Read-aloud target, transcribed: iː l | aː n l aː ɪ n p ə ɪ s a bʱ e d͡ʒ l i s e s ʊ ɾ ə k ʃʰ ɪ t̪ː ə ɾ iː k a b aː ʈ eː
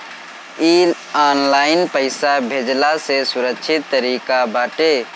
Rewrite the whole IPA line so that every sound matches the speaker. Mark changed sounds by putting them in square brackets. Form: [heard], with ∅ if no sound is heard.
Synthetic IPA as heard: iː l | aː n l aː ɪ n p ə ɪ s a bʱ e d͡ʒ l [a] s e s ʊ ɾ ə k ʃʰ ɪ t̪ː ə ɾ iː k a b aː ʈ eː